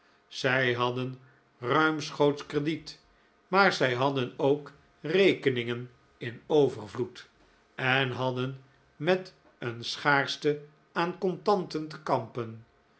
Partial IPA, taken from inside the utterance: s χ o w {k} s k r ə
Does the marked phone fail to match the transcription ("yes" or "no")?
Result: yes